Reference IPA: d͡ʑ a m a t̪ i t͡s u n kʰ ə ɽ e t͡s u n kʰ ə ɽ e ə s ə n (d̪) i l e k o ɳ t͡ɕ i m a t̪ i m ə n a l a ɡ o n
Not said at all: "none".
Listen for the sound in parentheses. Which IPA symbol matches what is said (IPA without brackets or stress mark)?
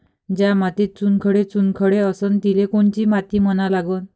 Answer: t̪